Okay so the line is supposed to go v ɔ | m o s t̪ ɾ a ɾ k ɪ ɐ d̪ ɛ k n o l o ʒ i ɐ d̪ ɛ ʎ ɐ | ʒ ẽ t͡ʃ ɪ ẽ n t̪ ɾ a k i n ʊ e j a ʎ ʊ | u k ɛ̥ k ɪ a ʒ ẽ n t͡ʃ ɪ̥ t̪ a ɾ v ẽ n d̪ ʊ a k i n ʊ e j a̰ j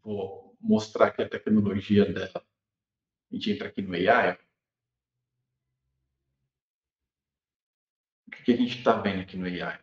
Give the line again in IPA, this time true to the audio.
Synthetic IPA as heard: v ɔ | m o s t̪ ɾ a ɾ k ɪ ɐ t̪ ɛ k n o l o ʒ i ɐ d̪ ɛ l ɐ | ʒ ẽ t͡ʃ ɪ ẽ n t̪ ɾ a k i n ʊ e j a j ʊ | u k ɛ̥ k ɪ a ʒ ẽ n t͡ʃ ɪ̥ t̪ a v ẽ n d̪ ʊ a k i n ʊ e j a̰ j